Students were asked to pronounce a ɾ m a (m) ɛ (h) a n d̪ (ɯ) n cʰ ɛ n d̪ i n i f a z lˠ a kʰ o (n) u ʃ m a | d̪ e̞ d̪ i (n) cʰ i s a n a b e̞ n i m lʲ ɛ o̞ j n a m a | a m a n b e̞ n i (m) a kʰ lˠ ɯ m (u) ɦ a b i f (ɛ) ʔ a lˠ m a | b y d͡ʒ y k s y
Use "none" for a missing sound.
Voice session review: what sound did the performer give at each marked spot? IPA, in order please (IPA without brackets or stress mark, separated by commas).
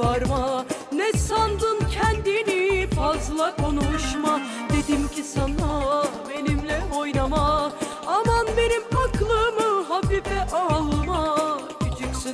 n, s, ɯ, n, m, m, ɯ, ɛ